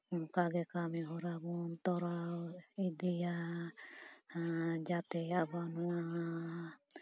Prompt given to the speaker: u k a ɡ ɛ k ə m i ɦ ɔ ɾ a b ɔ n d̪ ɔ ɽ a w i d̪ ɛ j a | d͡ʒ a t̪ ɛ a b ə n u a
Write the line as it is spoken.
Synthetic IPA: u k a ɡ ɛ k a m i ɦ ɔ ɾ a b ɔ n t̪ ɔ ɾ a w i d̪ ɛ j a | d͡ʒ a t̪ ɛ a b a n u a